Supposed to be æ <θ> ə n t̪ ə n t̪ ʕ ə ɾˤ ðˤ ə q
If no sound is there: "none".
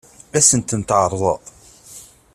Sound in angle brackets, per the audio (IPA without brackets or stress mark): s